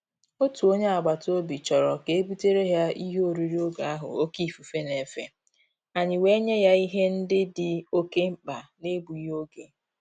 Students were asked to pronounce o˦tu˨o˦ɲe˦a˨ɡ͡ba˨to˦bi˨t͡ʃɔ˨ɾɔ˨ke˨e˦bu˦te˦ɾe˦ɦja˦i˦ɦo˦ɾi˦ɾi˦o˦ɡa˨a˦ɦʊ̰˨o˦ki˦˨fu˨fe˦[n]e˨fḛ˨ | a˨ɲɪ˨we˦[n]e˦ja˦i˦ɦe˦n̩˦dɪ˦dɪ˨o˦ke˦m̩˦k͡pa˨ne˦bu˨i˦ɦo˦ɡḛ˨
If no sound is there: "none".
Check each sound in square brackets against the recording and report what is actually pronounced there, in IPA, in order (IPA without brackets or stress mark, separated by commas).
n, ɲ